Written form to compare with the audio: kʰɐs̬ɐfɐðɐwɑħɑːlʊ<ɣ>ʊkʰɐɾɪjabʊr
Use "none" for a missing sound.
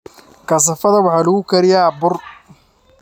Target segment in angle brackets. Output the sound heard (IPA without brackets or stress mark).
ɣ